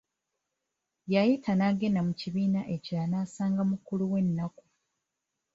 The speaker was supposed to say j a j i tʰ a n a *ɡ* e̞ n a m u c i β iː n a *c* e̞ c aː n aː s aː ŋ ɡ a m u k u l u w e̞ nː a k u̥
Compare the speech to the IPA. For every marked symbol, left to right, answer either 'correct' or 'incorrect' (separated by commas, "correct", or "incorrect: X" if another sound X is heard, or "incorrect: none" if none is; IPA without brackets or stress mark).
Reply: correct, incorrect: ʔ